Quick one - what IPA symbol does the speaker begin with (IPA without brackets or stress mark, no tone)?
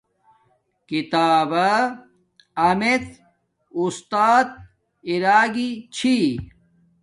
k